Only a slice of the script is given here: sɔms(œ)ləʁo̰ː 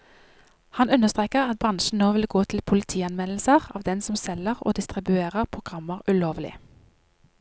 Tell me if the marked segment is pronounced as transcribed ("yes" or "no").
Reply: no